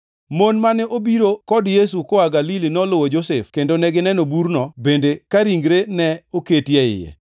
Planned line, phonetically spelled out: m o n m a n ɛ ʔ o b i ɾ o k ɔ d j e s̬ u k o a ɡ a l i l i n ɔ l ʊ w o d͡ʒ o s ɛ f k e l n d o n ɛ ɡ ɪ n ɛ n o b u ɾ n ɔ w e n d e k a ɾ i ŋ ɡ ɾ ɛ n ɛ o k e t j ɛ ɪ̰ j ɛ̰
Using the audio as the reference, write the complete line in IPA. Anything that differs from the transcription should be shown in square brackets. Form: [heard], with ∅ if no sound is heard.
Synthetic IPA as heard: m o n m a n ɛ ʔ o b i ɾ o k ɔ d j e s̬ u k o a ɡ a l i l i n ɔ l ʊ w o d͡ʒ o s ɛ f k e [∅] n d o n ɛ ɡ ɪ n ɛ n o b u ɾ n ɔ [b] e n d e k a ɾ i ŋ ɡ ɾ [e] n ɛ o k e t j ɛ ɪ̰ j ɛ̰